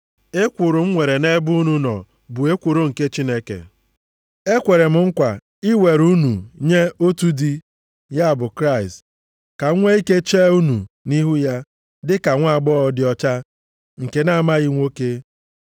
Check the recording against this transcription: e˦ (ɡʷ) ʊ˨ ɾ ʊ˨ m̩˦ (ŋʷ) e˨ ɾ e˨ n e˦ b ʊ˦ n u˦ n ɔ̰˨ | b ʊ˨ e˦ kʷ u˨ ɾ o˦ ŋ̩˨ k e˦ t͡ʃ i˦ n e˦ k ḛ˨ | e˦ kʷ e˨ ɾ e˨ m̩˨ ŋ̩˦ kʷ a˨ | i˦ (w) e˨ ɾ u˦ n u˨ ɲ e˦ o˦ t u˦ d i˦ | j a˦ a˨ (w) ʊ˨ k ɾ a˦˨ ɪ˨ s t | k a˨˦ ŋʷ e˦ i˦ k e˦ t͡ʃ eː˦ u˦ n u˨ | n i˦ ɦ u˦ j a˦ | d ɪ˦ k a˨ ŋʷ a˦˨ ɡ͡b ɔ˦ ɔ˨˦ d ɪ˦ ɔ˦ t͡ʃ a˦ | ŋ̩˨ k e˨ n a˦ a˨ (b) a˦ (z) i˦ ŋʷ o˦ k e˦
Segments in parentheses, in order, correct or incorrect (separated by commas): incorrect, correct, correct, incorrect, incorrect, incorrect